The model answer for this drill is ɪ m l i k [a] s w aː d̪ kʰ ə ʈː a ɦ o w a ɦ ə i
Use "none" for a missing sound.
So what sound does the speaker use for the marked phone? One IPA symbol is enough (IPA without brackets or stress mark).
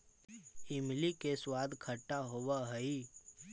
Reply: e